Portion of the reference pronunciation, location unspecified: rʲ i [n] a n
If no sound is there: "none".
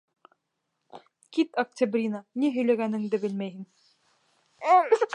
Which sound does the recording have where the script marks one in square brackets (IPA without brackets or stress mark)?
n